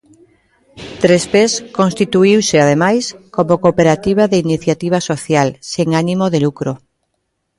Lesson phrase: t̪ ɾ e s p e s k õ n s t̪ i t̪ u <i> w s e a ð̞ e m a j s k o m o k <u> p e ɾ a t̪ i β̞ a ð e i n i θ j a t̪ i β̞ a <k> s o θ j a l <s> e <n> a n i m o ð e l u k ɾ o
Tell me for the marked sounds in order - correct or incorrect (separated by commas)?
correct, incorrect, incorrect, correct, incorrect